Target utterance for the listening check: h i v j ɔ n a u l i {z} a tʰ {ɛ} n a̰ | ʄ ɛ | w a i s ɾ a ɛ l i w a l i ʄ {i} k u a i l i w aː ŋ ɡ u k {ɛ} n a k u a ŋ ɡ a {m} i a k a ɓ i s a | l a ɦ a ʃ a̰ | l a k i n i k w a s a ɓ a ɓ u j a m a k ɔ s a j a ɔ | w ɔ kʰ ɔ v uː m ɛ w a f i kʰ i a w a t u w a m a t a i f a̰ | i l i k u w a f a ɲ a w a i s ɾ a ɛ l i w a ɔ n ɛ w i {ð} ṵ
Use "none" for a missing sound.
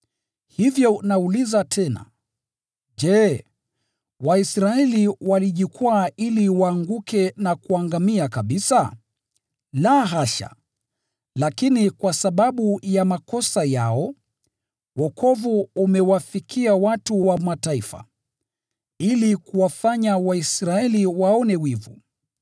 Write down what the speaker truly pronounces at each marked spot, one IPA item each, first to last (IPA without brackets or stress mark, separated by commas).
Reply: z, ɛ, i, ɛ, m, v